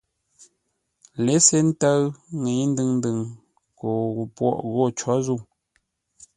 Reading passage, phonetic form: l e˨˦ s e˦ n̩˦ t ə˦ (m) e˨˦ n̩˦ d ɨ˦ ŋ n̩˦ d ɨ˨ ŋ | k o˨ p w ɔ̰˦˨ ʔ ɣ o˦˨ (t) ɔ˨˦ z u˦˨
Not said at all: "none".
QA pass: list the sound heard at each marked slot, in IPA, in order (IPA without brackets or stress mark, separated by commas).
ŋ, t͡ʃ